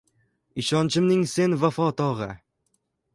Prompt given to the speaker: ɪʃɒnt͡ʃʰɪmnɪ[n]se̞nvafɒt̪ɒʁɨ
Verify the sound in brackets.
incorrect: ŋ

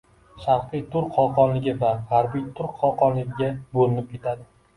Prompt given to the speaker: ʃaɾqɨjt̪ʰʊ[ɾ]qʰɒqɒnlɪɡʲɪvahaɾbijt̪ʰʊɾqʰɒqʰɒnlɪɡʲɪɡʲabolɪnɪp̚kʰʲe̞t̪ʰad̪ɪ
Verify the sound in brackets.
correct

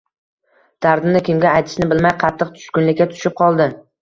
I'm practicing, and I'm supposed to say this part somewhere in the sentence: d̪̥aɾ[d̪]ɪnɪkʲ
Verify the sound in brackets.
correct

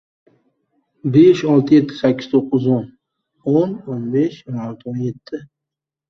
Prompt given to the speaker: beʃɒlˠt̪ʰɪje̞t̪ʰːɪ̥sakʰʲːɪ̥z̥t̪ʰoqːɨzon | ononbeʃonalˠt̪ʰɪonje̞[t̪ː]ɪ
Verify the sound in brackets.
incorrect: t̪ʰː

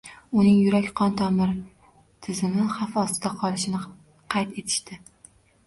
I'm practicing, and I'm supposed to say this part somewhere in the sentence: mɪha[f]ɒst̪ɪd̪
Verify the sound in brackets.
correct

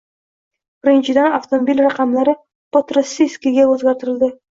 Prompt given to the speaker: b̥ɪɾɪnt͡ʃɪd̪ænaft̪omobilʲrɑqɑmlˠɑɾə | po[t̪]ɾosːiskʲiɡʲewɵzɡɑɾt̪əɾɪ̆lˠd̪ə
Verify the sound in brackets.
correct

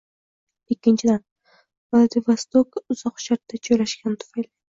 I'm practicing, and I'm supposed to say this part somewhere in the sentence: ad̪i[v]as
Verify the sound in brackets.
correct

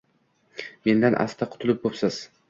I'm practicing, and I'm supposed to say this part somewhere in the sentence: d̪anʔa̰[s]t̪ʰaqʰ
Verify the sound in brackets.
correct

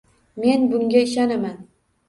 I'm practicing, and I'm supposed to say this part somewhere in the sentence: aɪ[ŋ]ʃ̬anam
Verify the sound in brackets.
incorrect: none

